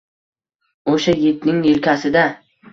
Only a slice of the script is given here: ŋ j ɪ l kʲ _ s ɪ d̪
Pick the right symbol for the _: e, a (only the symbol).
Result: a